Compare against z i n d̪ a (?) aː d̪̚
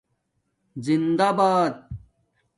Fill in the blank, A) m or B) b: B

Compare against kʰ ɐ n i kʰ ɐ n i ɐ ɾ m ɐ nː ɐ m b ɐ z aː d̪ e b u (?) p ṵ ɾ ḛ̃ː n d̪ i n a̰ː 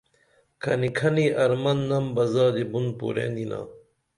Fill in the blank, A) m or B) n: B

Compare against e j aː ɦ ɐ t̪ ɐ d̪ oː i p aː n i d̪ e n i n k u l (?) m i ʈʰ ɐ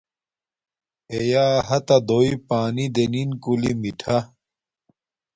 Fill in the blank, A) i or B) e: A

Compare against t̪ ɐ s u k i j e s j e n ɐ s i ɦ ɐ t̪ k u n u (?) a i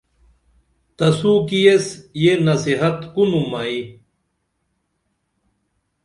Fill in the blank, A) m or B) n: A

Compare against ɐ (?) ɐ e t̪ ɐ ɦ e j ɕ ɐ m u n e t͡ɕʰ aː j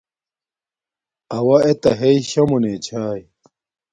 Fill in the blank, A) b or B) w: B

